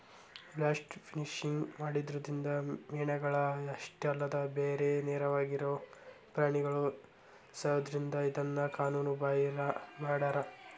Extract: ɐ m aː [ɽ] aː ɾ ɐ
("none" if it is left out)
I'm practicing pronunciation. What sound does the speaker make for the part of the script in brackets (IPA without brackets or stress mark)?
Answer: ɽ